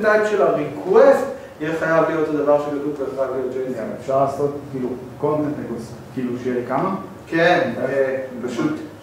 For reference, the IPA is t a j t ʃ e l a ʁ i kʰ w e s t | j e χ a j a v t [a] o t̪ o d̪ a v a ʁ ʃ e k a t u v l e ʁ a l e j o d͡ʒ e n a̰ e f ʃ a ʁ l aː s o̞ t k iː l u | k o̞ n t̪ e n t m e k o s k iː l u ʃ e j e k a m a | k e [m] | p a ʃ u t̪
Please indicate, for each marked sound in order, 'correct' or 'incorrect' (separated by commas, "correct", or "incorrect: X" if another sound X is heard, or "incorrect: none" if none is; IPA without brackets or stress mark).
incorrect: i, incorrect: n